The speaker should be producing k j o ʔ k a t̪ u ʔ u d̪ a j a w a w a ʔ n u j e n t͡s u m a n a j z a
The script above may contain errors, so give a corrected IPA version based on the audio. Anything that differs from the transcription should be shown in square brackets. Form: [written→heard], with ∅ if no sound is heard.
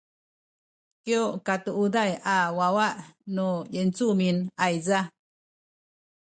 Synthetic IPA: k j o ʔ k a t̪ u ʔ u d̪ a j a w a w a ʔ n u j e n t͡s u m [a→i] n a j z a